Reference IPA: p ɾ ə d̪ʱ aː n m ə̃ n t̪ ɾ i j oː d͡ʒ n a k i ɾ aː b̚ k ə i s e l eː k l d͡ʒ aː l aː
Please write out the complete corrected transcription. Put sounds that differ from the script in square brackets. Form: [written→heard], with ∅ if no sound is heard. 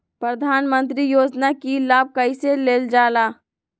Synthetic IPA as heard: p ɾ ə d̪ʱ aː n m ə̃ n t̪ ɾ i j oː d͡ʒ n a k i [ɾ→l] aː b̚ k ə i s e l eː [k→∅] l d͡ʒ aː l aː

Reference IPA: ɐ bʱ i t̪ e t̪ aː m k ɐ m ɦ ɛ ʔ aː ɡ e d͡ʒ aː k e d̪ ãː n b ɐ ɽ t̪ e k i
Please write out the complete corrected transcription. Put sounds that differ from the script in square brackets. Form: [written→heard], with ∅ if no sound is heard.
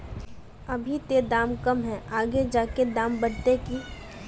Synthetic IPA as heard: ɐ bʱ i t̪ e [t̪→d̪] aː m k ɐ m ɦ ɛ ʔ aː ɡ e d͡ʒ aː k e d̪ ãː [n→m] b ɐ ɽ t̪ e k i

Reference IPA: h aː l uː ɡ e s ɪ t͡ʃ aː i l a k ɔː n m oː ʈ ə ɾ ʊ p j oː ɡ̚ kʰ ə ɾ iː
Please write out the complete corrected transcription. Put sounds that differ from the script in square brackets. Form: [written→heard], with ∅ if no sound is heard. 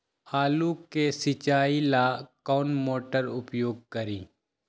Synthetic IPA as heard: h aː l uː [ɡ→k] e s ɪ t͡ʃ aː i l a k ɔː n m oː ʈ ə ɾ ʊ p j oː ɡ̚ [kʰ→k] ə ɾ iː

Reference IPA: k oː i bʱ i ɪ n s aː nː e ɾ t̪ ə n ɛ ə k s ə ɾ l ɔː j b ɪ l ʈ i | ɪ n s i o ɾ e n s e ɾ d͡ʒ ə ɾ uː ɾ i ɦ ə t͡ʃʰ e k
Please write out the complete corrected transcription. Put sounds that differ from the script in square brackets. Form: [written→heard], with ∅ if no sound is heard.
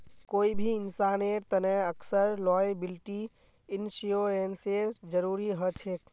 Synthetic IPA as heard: k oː i bʱ i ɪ n s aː [nː→n] e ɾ t̪ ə n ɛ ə k s ə ɾ l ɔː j b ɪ l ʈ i | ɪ n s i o ɾ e n s e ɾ d͡ʒ ə ɾ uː ɾ i ɦ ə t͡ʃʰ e k

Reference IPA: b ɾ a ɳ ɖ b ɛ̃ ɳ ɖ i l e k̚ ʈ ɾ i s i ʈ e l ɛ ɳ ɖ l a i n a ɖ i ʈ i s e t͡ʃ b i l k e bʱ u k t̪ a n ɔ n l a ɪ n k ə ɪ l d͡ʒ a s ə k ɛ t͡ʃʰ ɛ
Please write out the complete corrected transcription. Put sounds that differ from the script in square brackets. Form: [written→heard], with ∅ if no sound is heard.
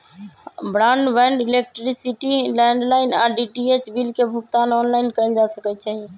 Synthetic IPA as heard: b ɾ a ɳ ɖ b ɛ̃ ɳ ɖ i l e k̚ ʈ ɾ i s i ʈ [e→i] l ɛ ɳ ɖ l a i n a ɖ i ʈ i [s→∅] e t͡ʃ b i l k e bʱ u k t̪ a n ɔ n l a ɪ n k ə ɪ l d͡ʒ a s ə k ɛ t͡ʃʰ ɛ

